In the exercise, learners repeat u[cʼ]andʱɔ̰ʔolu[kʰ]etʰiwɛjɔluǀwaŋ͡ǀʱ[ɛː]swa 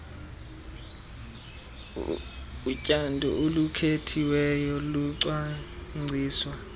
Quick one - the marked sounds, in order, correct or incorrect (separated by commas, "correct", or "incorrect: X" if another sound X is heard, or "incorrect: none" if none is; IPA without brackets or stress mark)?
correct, correct, incorrect: iː